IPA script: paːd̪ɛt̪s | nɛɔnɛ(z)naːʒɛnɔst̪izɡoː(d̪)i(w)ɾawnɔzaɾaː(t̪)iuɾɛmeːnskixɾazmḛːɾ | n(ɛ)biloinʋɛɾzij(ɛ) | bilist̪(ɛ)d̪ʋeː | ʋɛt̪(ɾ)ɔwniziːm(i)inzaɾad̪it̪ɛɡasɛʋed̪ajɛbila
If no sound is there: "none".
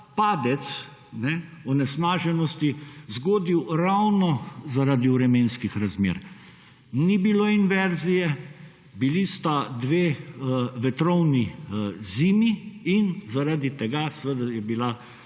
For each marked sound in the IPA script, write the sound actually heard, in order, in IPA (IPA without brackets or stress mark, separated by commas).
s, d̪, w, d̪, i, ɛ, a, ɾ, i